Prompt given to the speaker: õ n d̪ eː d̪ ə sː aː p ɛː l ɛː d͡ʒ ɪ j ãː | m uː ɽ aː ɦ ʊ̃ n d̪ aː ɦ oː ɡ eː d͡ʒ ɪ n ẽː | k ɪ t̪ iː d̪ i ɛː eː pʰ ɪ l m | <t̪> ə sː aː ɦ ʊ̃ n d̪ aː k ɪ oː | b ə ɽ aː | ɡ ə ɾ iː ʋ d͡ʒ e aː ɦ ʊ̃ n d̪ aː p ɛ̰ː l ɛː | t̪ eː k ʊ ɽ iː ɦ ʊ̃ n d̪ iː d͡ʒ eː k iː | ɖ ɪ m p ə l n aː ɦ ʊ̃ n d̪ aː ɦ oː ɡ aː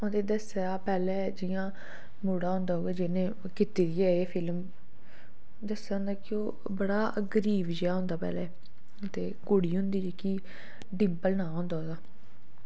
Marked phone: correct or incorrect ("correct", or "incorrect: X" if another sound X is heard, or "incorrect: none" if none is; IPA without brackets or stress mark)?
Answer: incorrect: d̪